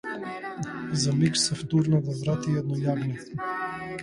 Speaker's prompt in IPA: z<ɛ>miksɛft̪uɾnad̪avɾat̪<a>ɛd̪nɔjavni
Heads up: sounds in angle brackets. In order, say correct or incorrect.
incorrect: a, incorrect: i

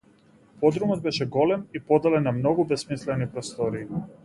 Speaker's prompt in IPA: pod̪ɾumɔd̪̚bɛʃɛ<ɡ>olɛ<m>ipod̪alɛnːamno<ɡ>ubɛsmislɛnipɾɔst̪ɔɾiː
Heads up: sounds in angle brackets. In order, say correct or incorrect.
correct, correct, correct

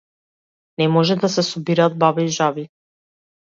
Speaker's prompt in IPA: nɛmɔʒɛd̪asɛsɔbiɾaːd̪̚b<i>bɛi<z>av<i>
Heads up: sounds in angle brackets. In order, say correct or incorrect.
incorrect: a, incorrect: ʒ, correct

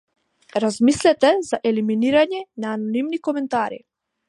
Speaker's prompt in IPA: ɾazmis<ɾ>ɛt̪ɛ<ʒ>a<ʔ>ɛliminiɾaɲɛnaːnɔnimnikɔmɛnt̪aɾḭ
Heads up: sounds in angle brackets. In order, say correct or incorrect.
incorrect: l, incorrect: z, correct

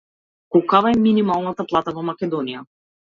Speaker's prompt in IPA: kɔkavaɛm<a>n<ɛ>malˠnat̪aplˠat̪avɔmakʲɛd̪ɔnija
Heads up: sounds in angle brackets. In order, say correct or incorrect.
incorrect: i, incorrect: i

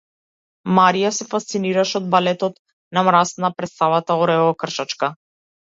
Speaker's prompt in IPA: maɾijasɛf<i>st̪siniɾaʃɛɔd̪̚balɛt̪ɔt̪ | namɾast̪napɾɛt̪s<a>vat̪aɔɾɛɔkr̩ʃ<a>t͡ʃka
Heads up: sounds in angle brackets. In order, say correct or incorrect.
incorrect: a, correct, correct

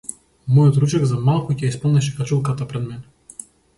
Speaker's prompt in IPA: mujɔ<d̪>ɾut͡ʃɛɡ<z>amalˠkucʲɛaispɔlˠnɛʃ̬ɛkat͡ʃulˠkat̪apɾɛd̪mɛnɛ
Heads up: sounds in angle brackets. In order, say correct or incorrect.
incorrect: t̪, correct

